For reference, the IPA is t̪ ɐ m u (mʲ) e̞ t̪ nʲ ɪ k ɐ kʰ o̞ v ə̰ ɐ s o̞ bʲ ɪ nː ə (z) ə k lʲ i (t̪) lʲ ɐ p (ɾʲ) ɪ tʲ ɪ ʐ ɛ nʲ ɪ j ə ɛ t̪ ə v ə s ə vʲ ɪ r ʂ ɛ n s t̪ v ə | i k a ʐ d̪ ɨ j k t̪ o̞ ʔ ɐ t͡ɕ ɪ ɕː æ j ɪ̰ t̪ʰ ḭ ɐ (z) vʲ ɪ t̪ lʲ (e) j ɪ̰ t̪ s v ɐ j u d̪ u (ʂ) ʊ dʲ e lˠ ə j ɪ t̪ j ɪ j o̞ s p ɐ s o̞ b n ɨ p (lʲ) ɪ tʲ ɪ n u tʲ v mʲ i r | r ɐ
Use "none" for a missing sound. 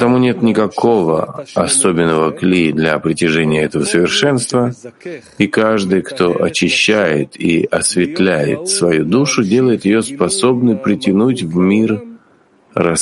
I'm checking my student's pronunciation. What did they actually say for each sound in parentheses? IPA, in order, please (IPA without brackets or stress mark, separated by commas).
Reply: nʲ, v, d̪, ɾʲ, s, æ, ʂ, ɾʲ